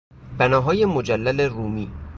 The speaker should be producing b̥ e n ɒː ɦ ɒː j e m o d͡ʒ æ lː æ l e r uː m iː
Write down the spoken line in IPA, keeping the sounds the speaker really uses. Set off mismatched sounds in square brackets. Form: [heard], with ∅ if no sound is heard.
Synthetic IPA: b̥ [æ] n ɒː ɦ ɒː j e m o d͡ʒ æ lː æ l e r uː m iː